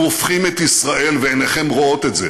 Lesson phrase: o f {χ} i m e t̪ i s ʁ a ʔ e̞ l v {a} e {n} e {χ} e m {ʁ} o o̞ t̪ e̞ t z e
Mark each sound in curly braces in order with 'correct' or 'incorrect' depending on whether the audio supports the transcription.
correct, incorrect: e, correct, correct, correct

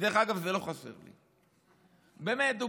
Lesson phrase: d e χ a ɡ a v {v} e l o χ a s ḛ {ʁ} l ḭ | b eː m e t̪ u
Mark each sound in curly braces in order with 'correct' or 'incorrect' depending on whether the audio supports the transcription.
incorrect: z, correct

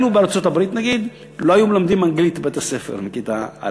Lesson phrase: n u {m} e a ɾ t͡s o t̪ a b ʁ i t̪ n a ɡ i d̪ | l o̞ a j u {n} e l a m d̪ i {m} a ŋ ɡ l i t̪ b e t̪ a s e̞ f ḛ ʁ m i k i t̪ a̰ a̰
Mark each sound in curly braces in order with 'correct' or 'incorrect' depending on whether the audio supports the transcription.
incorrect: b, incorrect: m, correct

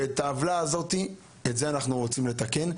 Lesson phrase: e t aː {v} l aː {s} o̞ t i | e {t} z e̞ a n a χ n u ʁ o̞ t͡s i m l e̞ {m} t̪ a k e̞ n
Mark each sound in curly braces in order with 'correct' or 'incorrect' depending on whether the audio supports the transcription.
correct, incorrect: z, correct, incorrect: none

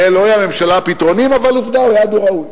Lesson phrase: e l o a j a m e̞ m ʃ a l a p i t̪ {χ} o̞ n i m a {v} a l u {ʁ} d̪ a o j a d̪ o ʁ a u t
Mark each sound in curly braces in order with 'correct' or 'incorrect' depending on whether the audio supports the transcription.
incorrect: ʁ, correct, incorrect: v

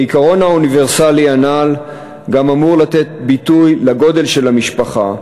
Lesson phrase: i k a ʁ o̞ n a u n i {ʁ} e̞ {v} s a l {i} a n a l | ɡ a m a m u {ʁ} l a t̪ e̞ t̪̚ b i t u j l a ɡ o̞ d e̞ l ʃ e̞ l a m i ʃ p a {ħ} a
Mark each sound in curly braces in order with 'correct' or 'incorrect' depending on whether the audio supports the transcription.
incorrect: v, incorrect: ʁ, correct, correct, incorrect: χ

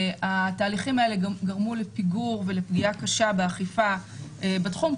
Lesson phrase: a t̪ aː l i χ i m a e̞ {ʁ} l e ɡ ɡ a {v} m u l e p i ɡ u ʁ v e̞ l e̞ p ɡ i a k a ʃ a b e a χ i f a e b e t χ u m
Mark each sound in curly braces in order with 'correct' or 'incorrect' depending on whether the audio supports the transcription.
incorrect: none, incorrect: ʁ

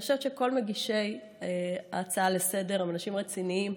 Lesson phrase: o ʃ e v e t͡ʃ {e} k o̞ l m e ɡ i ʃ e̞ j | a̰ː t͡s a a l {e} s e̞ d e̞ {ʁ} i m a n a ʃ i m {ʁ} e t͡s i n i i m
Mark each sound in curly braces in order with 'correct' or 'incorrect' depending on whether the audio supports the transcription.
correct, correct, correct, correct

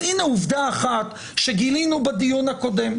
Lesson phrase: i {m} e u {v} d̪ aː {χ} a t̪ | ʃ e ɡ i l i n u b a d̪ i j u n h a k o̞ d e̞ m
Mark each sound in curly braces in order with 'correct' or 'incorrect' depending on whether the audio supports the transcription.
incorrect: n, correct, correct

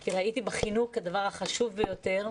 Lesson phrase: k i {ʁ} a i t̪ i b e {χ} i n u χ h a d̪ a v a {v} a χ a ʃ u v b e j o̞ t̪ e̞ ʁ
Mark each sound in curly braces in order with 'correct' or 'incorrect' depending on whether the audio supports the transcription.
correct, correct, incorrect: ʁ

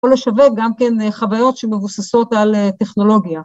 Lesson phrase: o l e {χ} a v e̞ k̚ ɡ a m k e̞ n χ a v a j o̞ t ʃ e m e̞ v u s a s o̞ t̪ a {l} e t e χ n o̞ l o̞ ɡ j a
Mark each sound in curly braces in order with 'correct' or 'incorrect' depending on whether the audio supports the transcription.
incorrect: ʃ, correct

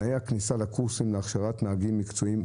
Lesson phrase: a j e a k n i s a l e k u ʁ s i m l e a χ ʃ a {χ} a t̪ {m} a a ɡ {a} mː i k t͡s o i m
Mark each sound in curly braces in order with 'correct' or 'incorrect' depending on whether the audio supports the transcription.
incorrect: ʁ, incorrect: n, incorrect: i

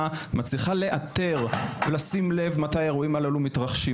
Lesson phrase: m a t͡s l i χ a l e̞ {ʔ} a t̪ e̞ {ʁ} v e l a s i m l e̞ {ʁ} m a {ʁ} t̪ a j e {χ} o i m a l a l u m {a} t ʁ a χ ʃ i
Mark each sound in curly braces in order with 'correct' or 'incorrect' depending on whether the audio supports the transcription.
correct, correct, incorrect: v, incorrect: none, incorrect: ʁ, incorrect: i

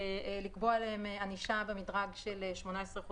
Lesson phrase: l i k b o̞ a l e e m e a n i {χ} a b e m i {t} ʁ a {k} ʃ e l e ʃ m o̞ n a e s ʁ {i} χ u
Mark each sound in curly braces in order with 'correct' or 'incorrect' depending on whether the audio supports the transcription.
incorrect: ʃ, incorrect: d, incorrect: ɡ, incorrect: e

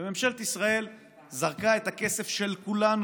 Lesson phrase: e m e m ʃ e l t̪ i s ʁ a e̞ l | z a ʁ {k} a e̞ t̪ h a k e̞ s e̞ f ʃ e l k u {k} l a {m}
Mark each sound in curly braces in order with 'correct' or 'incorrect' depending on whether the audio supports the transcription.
correct, incorrect: none, incorrect: n

